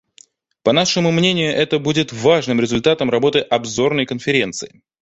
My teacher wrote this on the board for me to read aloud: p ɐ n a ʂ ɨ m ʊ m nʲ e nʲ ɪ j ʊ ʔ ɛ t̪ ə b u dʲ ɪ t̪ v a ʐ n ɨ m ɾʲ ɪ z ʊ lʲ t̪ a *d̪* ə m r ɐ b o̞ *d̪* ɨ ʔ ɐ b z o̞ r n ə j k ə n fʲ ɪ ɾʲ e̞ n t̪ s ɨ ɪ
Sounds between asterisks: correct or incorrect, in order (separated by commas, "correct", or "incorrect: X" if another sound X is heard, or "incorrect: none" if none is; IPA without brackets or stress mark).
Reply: incorrect: t̪, incorrect: t̪